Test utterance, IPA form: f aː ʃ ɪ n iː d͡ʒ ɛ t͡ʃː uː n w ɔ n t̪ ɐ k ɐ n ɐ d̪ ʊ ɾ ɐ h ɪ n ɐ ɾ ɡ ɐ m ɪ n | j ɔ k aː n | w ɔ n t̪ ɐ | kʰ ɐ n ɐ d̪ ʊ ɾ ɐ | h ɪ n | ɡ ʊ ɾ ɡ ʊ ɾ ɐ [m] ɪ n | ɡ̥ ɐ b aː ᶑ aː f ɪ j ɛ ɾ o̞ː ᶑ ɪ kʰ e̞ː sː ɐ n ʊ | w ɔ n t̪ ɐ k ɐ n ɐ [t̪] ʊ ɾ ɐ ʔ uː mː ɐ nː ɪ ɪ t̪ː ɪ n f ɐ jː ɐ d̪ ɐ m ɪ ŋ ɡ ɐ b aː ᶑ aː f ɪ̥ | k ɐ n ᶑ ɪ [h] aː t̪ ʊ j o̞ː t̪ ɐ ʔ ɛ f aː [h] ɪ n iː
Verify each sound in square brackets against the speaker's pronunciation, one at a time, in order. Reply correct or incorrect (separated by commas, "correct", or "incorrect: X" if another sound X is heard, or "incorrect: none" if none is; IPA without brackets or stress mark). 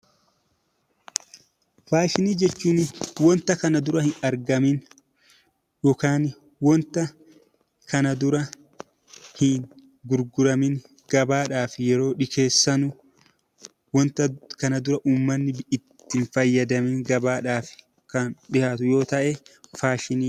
correct, incorrect: d̪, correct, incorrect: ʃ